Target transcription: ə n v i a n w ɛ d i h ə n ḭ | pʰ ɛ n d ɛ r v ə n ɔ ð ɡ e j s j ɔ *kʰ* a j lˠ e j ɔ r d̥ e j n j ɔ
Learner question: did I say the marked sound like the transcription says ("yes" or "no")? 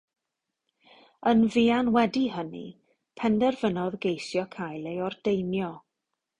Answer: yes